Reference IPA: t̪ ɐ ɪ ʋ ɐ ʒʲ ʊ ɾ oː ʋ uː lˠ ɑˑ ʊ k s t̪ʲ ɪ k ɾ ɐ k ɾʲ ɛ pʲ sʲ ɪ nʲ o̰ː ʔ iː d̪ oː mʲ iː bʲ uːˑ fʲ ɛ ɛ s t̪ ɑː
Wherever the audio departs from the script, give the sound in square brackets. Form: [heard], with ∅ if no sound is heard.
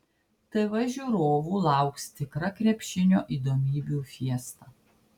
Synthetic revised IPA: t̪ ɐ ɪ ʋ ɐ ʒʲ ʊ ɾ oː ʋ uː lˠ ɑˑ ʊ k s t̪ʲ ɪ k ɾ ɐ k ɾʲ ɛ pʲ [ʃʲ] ɪ nʲ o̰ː ʔ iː d̪ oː mʲ iː bʲ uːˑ fʲ [i] ɛ s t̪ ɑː